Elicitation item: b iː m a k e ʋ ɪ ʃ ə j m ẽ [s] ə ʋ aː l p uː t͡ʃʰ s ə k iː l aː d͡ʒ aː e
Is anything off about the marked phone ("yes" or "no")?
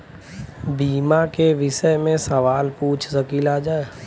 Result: no